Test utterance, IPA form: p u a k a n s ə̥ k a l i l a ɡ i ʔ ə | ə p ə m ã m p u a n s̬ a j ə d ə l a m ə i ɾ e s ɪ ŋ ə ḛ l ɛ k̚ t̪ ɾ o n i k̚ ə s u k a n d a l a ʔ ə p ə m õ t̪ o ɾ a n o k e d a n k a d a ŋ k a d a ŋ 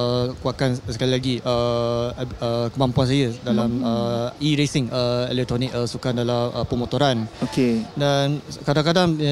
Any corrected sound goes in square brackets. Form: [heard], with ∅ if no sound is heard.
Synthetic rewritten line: [k] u a k a n s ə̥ k a l i l a ɡ i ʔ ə | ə [k] ə m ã m p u a n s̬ a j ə d [a] l a m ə i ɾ e s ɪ ŋ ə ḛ l ɛ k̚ t̪ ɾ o n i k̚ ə s u k a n d a l a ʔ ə p ə m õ t̪ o ɾ a n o k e d a n k a d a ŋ k a d a ŋ